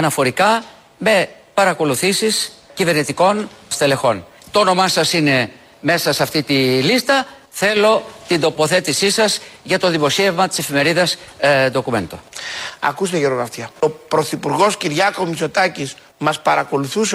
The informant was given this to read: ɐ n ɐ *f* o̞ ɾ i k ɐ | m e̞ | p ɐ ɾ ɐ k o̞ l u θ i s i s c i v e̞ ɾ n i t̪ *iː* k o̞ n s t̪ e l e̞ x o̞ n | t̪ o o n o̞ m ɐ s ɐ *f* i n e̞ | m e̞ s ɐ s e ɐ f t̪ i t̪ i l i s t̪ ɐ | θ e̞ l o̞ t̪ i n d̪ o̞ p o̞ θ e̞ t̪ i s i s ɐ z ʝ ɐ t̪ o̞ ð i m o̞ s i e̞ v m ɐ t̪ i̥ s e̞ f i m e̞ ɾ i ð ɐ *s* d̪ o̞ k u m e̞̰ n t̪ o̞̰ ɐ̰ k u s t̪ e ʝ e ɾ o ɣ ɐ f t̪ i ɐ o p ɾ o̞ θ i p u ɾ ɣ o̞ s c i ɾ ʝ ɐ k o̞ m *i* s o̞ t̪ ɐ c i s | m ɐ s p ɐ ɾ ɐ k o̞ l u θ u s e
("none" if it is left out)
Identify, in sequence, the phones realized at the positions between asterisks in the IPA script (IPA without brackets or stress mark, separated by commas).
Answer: f, i, s, s, i